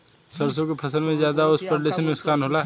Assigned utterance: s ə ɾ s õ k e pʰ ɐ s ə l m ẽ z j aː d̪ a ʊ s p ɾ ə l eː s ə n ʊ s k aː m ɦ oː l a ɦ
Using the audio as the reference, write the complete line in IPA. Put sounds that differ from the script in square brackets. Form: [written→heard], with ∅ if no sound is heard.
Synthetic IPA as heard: s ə ɾ s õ k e pʰ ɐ s ə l m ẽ z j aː d̪ a ʊ s p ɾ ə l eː s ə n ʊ s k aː [m→n] ɦ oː l a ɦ